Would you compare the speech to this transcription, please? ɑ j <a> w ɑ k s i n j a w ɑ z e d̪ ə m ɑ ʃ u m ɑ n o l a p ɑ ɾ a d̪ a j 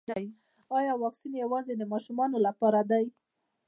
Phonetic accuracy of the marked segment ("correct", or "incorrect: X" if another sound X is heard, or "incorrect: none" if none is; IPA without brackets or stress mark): incorrect: ɑ